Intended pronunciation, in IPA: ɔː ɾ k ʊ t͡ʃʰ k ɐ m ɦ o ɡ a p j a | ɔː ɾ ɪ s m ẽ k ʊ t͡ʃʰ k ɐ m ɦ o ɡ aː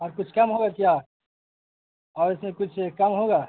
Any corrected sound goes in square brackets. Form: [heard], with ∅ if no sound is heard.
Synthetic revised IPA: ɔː ɾ k ʊ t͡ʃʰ k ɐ m ɦ o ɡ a [k] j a | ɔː ɾ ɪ s m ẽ k ʊ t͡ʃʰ k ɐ m ɦ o ɡ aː